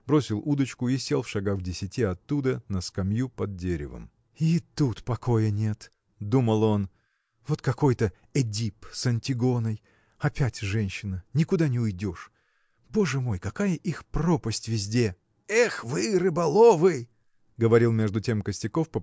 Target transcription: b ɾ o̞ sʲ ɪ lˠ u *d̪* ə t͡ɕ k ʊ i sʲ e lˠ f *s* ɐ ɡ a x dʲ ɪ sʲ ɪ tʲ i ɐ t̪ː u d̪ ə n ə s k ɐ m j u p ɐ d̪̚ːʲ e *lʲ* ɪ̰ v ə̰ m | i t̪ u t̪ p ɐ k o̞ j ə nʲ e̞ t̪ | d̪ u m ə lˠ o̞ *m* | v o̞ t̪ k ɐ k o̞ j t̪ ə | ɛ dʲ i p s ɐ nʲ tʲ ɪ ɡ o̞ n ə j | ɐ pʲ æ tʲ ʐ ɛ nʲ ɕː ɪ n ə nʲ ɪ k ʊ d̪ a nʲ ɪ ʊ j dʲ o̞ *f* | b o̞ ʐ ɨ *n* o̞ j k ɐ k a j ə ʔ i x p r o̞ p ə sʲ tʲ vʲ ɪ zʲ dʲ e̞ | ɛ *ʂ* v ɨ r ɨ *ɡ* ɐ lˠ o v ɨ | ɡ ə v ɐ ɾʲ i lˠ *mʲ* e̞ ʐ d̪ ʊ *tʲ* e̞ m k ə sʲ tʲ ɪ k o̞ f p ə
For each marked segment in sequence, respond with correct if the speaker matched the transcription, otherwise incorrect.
correct, incorrect: ʂ, incorrect: ɾʲ, incorrect: n, incorrect: ʂ, incorrect: m, incorrect: x, incorrect: b, correct, correct

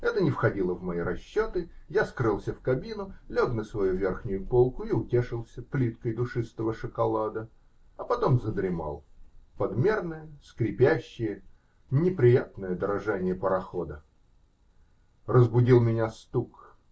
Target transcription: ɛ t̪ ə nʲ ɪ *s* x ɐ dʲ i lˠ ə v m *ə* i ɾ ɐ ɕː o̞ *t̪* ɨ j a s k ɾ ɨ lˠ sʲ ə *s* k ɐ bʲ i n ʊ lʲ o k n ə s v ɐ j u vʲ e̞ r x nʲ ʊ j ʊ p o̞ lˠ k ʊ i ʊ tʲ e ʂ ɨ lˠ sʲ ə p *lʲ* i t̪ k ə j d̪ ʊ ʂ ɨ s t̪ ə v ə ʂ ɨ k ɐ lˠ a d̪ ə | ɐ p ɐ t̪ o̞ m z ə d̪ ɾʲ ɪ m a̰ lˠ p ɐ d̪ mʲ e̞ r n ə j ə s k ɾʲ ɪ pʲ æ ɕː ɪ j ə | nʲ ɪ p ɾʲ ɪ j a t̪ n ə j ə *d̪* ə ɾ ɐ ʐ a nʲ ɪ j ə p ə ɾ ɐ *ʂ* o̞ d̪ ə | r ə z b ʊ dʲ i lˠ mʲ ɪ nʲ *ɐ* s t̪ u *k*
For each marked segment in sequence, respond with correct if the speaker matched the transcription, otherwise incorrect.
incorrect: f, incorrect: ɐ, correct, incorrect: f, correct, correct, incorrect: x, incorrect: a, correct

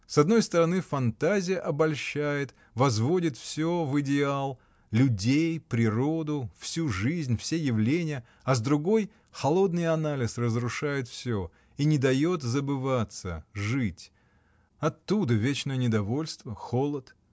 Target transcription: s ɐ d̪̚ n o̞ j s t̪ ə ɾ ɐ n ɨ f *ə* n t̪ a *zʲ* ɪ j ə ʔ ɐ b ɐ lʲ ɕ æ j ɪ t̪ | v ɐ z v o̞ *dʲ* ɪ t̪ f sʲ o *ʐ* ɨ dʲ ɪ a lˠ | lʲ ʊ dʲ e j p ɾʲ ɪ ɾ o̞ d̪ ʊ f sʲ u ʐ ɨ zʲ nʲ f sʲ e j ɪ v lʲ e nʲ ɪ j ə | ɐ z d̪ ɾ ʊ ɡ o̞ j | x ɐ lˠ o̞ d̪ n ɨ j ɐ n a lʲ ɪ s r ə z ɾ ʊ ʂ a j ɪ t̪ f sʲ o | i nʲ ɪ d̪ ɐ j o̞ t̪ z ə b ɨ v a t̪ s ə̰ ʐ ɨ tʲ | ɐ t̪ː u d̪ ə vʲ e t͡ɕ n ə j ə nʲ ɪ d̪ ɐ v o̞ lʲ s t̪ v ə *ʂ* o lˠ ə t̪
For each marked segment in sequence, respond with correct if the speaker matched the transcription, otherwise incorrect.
incorrect: ɐ, correct, correct, incorrect: v, incorrect: x

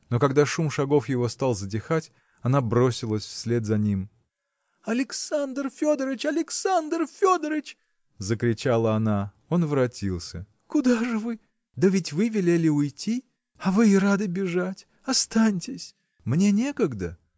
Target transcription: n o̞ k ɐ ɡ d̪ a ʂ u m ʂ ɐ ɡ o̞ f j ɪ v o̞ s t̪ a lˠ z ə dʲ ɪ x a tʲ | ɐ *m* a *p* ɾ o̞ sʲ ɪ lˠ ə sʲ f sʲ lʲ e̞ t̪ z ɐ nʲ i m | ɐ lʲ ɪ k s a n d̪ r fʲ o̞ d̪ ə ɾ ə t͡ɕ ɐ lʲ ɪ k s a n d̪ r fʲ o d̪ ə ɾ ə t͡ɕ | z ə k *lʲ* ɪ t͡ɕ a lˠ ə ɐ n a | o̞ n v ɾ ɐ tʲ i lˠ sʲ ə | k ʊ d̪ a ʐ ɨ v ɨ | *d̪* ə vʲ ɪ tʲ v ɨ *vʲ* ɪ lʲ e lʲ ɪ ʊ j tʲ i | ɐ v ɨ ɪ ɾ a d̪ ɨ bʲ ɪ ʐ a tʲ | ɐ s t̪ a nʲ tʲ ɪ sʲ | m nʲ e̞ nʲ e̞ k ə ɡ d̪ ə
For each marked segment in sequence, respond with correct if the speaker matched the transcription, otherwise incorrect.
incorrect: n, incorrect: b, incorrect: ɾʲ, correct, correct

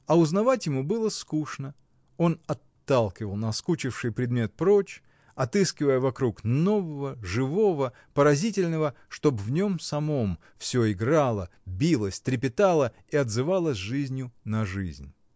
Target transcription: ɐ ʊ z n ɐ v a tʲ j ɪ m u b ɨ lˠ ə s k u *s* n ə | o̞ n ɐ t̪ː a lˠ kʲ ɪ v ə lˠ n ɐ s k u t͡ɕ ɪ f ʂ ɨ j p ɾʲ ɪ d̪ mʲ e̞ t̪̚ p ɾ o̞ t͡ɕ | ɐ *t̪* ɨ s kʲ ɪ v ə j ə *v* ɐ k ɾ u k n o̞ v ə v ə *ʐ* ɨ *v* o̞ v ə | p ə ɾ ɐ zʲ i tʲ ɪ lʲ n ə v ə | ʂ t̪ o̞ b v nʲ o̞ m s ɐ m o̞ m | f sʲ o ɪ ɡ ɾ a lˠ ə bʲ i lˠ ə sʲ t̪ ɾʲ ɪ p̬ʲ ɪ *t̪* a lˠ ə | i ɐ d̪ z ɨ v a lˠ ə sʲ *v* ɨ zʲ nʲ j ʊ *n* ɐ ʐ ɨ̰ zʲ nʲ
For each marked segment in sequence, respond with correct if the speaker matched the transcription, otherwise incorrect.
incorrect: ʂ, correct, correct, correct, correct, correct, incorrect: ʐ, correct

